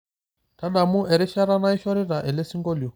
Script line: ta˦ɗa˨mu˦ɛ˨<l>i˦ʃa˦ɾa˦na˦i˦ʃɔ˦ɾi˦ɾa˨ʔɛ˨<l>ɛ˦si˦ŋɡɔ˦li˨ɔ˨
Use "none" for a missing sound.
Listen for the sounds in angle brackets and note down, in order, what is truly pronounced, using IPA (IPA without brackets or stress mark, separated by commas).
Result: ɾ, l